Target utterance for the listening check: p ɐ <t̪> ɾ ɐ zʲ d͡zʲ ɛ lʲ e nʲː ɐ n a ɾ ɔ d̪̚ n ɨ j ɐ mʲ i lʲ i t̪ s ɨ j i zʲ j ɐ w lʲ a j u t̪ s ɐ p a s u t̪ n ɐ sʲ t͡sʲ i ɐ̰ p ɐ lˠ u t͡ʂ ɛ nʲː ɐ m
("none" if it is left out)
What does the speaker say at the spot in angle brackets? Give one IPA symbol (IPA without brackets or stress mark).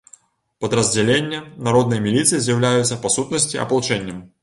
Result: d̪